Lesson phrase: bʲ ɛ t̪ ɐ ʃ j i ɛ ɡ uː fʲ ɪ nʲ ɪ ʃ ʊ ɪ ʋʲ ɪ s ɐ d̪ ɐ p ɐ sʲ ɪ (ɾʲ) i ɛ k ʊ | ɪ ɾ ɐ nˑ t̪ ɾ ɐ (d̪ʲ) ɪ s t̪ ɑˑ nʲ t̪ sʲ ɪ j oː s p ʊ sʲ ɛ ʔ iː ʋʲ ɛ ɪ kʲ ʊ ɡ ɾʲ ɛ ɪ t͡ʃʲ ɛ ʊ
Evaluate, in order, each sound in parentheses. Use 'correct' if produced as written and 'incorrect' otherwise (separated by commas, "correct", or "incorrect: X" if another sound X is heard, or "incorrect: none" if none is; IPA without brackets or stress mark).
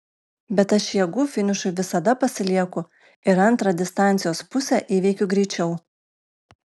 incorrect: lʲ, correct